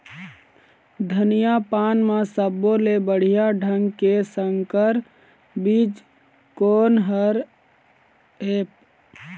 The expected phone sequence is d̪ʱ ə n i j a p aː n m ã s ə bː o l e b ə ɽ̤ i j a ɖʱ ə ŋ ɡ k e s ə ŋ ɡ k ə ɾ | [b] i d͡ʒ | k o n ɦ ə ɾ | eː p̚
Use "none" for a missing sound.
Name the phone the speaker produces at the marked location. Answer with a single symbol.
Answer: b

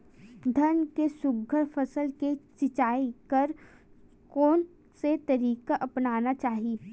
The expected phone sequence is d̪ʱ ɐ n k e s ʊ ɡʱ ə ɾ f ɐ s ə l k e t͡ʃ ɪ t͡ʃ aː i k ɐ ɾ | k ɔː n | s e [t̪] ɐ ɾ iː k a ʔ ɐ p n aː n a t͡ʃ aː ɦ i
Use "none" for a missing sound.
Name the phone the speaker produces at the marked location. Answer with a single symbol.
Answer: t̪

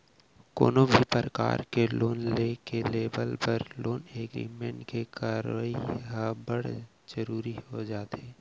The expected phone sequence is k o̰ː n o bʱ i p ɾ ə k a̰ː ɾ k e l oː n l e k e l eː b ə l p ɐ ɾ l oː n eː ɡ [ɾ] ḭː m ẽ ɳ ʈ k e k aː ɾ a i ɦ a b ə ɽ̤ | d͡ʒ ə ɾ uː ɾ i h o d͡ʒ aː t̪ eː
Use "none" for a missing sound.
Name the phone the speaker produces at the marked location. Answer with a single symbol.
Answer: ɾ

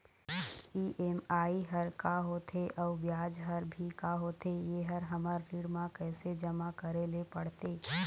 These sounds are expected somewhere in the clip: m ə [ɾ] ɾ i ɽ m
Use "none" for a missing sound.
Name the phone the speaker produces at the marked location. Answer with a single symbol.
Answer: ɾ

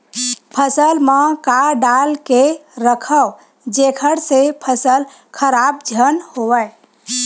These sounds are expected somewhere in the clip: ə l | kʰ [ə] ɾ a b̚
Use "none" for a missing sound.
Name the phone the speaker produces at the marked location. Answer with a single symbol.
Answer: ə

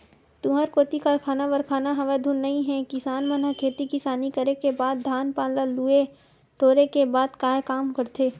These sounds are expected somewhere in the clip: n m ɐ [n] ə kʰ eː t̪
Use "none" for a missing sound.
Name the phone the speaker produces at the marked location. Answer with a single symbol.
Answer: n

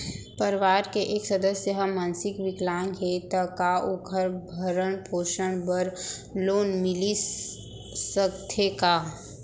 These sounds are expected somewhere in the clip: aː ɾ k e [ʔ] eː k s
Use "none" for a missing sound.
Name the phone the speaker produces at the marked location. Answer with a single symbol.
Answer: ʔ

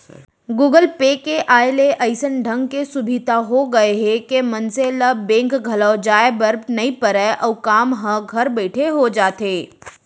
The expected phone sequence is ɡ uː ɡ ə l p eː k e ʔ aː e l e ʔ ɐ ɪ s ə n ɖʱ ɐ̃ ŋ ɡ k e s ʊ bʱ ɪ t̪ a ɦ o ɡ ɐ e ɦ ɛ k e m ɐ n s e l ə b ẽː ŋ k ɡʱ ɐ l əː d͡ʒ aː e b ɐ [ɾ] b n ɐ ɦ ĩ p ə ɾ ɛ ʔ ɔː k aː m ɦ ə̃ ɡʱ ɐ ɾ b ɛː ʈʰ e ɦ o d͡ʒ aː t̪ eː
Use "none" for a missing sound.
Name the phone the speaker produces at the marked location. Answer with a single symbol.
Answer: ɾ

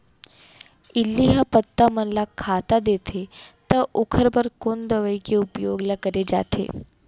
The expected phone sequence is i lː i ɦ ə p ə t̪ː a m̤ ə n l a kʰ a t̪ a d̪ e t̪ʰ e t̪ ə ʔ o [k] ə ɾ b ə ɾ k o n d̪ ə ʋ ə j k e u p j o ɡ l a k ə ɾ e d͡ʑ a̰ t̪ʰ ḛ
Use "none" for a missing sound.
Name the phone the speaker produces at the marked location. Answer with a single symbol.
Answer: kʰ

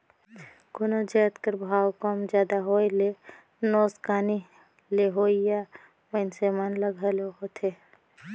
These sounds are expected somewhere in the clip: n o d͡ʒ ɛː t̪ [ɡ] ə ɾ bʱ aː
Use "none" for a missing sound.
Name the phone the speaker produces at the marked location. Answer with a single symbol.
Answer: k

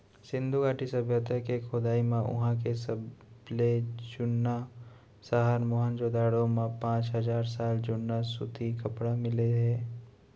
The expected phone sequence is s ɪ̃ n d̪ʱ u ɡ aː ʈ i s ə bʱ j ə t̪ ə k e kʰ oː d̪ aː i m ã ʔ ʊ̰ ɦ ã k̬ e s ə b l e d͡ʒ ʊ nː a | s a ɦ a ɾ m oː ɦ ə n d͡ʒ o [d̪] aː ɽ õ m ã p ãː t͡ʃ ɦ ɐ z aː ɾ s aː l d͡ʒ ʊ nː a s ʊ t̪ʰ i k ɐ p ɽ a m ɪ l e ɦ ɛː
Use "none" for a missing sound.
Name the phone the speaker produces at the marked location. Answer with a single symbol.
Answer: d̪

